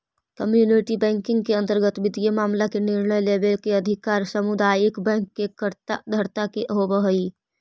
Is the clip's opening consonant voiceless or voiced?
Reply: voiceless